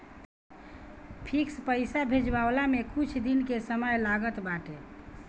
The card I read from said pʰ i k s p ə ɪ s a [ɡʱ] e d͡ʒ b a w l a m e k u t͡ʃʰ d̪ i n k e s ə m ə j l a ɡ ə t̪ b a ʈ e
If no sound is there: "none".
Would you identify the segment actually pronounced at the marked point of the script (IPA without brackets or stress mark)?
bʱ